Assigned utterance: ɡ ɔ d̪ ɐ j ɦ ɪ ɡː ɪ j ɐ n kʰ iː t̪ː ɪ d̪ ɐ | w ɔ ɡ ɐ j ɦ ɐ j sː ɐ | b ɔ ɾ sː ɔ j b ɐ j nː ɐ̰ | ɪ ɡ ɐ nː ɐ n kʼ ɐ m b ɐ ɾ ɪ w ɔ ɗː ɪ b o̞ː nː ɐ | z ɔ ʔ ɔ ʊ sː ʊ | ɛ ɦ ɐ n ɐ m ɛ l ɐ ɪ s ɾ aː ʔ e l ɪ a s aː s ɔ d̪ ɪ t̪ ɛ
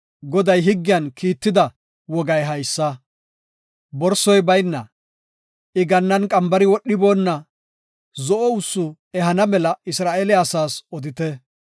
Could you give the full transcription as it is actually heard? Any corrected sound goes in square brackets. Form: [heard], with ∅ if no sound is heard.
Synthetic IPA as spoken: ɡ ɔ d̪ ɐ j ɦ ɪ ɡː ɪ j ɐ n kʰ iː t̪ː ɪ d̪ ɐ | w ɔ ɡ ɐ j ɦ ɐ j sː ɐ | b ɔ ɾ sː ɔ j b ɐ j nː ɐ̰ | ɪ ɡ ɐ nː ɐ n kʼ ɐ m b ɐ ɾ ɪ w ɔ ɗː ɪ b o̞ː nː ɐ | z ɔ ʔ ɔ ʊ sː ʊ | ɛ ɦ ɐ n ɐ m ɛ l ɐ ɪ s ɾ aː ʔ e l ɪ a s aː s ɔ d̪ ɪ t̪ ɛ